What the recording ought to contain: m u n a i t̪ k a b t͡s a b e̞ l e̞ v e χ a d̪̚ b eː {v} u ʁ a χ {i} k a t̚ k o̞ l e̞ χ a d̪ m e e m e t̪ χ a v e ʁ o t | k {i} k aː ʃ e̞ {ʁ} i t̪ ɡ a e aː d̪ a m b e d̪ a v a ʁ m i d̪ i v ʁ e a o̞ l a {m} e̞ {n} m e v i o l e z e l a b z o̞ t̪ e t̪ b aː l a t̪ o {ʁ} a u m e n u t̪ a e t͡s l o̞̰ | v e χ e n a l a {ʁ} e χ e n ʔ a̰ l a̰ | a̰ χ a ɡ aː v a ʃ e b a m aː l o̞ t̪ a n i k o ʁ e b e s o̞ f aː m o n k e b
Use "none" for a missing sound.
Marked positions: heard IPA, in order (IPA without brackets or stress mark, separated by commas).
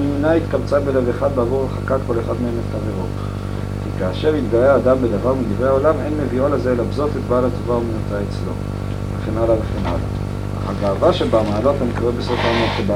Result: v, a, i, ʁ, m, n, v, v